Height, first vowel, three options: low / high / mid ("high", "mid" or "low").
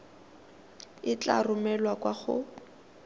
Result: high